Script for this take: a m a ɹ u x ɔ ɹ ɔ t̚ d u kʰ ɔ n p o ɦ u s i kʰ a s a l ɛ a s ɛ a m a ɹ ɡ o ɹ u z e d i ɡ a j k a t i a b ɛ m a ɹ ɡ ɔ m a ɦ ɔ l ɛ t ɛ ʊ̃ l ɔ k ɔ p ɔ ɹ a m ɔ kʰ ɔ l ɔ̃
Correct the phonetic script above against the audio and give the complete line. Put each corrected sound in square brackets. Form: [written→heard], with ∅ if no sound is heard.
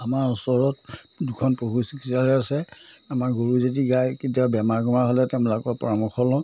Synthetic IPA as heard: a m a ɹ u [x→s] ɔ ɹ ɔ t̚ d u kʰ ɔ n p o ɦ u s i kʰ [a→i] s a l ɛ a s ɛ a m a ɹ ɡ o ɹ u z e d i ɡ a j k [a→i] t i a b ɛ m a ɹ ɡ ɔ m a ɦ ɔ l ɛ t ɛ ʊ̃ l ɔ k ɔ p ɔ ɹ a m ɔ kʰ ɔ l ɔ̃